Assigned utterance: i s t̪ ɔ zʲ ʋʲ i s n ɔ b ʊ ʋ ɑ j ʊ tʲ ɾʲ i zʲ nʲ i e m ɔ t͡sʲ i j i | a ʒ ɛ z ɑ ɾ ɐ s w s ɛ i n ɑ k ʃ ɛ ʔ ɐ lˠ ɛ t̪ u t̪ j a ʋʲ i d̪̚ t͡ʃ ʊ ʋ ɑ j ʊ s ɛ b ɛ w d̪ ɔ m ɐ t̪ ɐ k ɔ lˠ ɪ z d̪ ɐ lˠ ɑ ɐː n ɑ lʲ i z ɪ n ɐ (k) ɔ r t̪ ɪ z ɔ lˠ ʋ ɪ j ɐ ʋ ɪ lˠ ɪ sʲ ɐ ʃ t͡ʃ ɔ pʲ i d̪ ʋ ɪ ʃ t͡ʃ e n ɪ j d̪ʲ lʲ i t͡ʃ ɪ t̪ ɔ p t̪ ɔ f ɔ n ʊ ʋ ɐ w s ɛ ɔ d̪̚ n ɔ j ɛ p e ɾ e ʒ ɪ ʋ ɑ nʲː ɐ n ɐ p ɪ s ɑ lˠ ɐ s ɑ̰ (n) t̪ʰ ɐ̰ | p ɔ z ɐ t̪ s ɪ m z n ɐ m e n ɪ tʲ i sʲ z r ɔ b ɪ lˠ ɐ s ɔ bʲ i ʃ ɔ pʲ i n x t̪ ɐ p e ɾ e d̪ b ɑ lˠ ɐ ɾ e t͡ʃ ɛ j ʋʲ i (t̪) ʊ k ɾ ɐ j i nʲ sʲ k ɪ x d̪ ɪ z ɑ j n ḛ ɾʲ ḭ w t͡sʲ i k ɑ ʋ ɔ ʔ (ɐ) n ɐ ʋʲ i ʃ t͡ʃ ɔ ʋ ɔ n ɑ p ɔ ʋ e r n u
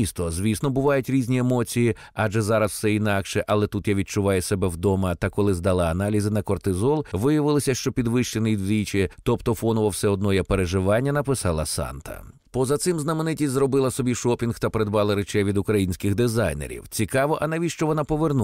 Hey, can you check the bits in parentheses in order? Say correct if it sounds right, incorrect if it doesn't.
correct, correct, incorrect: d̪, correct

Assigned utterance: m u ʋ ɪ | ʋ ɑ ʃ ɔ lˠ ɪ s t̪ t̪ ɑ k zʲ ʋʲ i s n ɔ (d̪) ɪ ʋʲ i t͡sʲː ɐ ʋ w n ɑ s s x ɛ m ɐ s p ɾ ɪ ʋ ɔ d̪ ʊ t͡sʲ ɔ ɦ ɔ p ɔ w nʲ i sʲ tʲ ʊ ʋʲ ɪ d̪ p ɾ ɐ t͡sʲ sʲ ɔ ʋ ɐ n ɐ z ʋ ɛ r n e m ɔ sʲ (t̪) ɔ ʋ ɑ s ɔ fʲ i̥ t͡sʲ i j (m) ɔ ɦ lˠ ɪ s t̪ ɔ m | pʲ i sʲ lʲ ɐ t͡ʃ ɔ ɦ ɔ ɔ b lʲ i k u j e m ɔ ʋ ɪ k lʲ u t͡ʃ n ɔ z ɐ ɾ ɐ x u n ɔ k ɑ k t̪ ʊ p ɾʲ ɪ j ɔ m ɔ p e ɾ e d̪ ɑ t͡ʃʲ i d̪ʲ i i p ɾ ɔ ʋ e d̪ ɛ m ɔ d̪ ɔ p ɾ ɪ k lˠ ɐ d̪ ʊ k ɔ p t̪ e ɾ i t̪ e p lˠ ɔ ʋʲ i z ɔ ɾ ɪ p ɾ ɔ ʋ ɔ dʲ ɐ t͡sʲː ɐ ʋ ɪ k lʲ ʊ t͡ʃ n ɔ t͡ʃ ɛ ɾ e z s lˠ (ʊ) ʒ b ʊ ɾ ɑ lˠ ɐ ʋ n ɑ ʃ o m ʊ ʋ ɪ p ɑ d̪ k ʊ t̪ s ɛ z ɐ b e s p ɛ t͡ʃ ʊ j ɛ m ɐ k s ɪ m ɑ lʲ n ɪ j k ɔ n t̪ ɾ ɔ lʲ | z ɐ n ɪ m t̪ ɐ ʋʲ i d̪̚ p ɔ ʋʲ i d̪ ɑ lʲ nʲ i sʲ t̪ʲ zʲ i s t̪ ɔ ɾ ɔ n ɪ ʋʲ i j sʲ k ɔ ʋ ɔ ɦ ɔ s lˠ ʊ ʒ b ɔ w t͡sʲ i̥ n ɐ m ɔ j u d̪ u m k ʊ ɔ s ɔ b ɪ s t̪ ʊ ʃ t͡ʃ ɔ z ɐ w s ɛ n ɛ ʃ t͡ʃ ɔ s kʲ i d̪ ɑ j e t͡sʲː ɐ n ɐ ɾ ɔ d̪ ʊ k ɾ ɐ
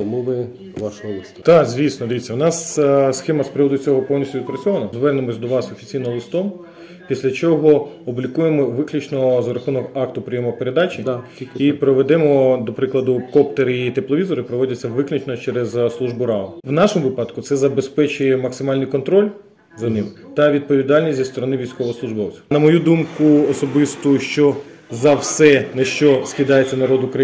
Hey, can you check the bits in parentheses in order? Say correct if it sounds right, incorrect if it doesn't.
correct, incorrect: d̪, incorrect: n, incorrect: u

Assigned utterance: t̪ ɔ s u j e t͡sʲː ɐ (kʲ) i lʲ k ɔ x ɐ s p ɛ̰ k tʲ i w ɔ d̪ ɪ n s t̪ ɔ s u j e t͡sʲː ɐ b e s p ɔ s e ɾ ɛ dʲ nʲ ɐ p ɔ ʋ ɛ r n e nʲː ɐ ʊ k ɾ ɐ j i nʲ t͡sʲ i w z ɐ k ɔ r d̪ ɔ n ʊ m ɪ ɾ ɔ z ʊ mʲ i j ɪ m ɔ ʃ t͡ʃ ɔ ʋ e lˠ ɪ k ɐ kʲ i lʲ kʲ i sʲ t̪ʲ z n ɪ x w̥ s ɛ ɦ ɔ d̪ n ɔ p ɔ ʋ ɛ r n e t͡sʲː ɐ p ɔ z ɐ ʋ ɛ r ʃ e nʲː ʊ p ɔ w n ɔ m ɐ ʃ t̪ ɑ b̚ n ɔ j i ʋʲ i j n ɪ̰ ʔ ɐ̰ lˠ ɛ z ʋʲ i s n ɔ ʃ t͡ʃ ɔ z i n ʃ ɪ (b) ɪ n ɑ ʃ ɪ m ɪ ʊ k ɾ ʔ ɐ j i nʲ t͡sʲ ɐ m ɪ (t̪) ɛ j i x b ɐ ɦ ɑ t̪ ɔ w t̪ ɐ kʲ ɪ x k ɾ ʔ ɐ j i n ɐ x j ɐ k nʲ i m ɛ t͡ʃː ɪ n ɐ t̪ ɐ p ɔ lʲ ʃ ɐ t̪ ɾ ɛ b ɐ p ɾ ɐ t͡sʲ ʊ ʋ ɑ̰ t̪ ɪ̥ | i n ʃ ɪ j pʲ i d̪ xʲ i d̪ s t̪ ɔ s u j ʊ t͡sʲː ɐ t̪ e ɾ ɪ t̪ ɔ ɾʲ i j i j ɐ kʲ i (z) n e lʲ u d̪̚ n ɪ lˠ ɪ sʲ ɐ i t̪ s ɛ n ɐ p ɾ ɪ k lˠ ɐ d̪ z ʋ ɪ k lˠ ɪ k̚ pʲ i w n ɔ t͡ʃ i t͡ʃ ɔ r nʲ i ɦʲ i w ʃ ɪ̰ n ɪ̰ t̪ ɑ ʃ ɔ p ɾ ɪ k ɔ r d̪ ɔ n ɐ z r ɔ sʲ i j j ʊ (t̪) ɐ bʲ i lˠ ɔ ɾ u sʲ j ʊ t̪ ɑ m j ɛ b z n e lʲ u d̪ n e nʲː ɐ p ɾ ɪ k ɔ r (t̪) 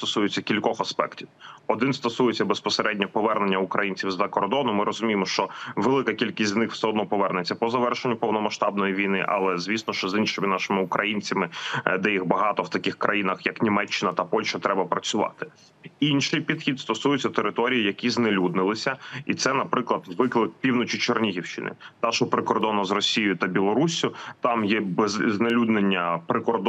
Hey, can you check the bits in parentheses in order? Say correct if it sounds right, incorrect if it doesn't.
correct, incorrect: m, incorrect: d̪, correct, correct, incorrect: d̪

